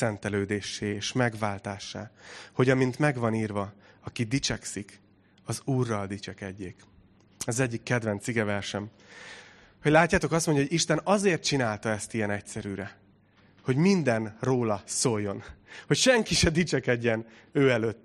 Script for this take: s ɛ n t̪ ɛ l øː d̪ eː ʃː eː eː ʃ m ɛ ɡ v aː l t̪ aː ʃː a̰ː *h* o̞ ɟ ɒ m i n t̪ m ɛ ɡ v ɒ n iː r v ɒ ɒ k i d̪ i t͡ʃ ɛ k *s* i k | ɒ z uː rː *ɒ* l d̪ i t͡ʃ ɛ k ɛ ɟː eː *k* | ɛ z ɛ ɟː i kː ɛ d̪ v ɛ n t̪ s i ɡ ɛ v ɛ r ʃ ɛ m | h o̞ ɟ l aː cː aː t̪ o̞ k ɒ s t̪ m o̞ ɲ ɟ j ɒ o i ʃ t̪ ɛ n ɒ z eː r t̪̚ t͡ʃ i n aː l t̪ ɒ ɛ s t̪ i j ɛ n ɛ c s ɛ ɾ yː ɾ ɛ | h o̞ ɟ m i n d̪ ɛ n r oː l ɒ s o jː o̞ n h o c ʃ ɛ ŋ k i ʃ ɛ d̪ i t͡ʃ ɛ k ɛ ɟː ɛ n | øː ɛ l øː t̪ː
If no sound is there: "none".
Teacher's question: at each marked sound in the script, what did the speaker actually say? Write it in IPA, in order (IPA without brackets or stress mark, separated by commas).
h, s, ɒ, k